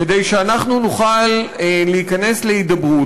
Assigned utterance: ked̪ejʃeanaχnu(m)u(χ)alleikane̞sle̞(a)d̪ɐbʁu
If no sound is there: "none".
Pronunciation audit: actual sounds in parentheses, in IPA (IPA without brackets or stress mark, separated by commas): n, χ, i